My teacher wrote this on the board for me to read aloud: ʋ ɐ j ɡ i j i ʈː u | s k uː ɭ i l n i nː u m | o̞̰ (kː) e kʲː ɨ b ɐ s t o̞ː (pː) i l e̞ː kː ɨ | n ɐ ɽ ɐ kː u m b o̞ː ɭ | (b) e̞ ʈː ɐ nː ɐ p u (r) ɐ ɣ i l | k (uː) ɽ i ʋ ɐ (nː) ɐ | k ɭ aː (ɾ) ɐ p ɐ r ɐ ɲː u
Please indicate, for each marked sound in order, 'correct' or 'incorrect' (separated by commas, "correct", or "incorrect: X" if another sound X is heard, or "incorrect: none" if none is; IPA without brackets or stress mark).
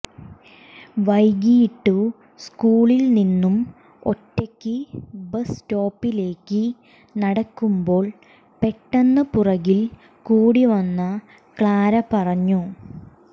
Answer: incorrect: tː, correct, incorrect: p, correct, correct, correct, correct